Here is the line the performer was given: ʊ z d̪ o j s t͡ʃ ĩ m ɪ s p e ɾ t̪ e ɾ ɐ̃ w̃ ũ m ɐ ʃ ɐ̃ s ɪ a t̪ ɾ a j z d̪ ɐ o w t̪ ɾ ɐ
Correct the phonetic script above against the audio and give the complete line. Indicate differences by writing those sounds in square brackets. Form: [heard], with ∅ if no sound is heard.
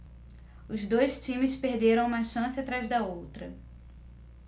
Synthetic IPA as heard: ʊ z d̪ o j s t͡ʃ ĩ m ɪ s p e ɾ [d̪] e ɾ ɐ̃ w̃ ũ m ɐ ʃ ɐ̃ s ɪ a t̪ ɾ a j z d̪ ɐ o w t̪ ɾ ɐ